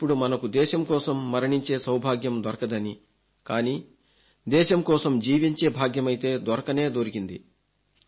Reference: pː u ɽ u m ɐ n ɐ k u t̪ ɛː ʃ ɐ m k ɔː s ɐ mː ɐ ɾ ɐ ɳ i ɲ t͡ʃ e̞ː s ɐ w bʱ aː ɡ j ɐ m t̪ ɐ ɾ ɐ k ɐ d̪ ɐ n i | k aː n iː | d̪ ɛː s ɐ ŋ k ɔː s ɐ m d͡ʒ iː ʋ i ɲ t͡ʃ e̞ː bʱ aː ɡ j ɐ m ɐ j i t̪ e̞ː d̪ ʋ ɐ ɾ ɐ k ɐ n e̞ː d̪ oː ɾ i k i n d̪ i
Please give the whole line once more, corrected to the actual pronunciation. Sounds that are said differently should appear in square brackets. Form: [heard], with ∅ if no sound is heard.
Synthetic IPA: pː u ɽ u m ɐ n ɐ k u [d̪] ɛː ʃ ɐ m k ɔː s ɐ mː ɐ ɾ ɐ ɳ i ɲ t͡ʃ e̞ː s ɐ w bʱ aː ɡ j ɐ m [d̪] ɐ ɾ ɐ k ɐ d̪ ɐ n i | k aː n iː | d̪ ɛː [ʃ] ɐ [m] k ɔː s ɐ m d͡ʒ iː ʋ i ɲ t͡ʃ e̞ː bʱ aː ɡ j ɐ m ɐ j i t̪ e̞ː d̪ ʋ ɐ ɾ ɐ k ɐ n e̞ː d̪ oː ɾ i k i n d̪ i